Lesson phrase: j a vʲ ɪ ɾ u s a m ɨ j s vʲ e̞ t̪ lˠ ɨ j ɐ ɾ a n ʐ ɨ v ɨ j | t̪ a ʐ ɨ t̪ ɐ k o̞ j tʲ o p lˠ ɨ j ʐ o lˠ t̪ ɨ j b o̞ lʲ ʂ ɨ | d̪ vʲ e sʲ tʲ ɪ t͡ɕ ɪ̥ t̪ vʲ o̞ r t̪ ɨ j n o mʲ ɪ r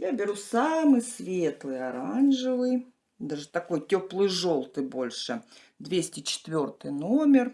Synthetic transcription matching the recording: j a bʲ ɪ ɾ u s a m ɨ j s vʲ e̞ t̪ lˠ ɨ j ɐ ɾ a n ʐ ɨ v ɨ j | d̪ a ʐ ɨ t̪ ɐ k o̞ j tʲ o p lˠ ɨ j ʐ o lˠ t̪ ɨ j b o̞ lʲ ʂ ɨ | d̪ vʲ e sʲ tʲ ɪ t͡ɕ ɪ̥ t̪ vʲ o̞ r t̪ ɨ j n o mʲ ɪ r